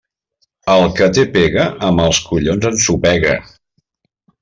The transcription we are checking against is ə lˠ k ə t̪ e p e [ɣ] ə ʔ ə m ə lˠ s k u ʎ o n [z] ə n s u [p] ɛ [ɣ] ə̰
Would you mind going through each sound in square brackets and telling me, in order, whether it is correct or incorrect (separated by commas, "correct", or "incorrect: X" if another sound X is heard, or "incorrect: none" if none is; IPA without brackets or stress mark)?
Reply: correct, correct, correct, correct